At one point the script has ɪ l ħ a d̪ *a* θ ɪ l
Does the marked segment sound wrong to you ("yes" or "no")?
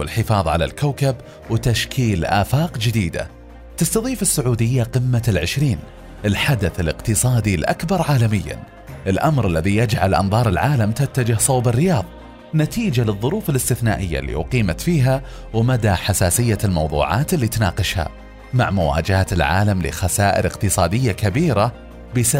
no